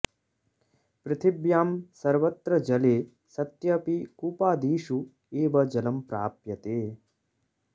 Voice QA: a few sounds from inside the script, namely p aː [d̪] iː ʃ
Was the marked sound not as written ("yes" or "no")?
no